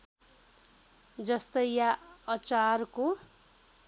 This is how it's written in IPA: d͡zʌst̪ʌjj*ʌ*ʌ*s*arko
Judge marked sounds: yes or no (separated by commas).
no, no